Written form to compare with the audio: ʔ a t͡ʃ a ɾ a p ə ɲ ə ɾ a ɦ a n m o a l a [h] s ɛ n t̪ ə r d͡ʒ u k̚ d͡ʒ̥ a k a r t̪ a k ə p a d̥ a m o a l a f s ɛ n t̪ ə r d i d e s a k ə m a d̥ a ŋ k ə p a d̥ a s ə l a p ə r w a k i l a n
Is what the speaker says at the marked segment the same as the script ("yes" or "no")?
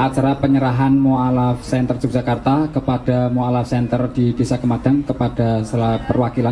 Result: no